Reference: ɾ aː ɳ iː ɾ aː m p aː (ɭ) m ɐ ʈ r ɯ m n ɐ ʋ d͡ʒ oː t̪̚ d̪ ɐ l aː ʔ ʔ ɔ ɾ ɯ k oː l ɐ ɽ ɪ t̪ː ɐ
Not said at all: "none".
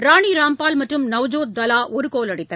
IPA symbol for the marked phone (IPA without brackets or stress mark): l